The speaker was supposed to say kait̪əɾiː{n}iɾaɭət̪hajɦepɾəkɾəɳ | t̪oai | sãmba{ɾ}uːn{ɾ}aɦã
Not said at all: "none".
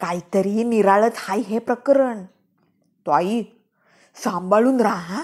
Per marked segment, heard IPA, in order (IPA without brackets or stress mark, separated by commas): n, ɭ, ɾ